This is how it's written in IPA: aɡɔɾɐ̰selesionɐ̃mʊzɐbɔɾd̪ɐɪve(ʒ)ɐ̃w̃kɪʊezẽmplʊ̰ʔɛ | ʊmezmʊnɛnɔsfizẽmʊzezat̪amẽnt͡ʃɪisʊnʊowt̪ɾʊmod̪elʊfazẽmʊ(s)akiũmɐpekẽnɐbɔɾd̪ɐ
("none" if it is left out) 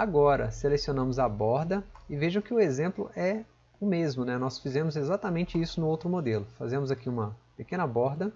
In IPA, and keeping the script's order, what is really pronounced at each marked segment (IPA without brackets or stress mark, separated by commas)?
ʒ, z